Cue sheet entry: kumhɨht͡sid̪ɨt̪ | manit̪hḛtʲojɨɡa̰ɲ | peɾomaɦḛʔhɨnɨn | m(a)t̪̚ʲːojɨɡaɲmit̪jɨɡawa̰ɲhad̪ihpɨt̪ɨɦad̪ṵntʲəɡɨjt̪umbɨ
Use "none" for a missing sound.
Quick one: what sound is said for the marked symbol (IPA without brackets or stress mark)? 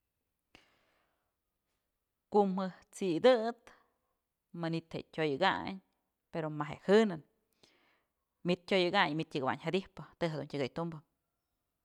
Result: i